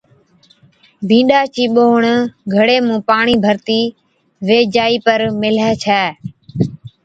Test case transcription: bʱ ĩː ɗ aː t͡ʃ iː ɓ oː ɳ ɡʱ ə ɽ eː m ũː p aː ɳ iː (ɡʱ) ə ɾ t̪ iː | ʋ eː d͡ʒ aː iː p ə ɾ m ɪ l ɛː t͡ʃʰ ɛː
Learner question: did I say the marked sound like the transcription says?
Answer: no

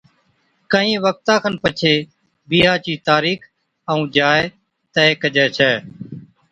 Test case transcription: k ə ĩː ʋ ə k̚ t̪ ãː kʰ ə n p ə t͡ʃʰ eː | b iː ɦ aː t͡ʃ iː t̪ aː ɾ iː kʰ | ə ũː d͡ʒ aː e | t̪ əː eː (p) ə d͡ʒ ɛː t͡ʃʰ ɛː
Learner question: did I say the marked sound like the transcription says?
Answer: no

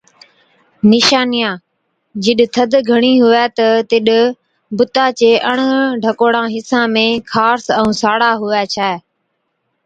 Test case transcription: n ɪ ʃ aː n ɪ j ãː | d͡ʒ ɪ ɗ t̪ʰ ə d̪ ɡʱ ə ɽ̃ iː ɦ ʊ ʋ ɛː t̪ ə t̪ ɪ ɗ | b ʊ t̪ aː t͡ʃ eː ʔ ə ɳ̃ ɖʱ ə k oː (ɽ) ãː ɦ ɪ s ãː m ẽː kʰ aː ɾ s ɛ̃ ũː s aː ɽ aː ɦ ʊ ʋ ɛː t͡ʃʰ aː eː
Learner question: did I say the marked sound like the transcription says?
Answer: yes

